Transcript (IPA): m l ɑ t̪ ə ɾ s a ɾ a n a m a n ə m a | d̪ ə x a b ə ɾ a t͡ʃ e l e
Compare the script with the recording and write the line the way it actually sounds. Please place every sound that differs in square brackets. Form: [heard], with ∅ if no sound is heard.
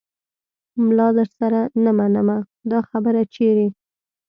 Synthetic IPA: m l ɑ [d̪] ə ɾ s a ɾ a n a m a n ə m a | d̪ [ɑ] x a b ə ɾ a t͡ʃ e [ɾ] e